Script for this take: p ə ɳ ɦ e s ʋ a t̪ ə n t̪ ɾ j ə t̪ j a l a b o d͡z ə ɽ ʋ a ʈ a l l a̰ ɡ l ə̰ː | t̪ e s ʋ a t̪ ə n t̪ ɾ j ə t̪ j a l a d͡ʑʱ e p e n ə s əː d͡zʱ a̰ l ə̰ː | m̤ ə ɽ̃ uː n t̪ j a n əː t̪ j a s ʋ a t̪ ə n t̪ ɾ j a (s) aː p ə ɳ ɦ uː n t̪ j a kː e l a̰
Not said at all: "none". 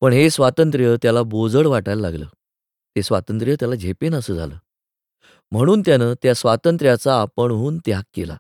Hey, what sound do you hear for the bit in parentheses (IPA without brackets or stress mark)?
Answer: t͡s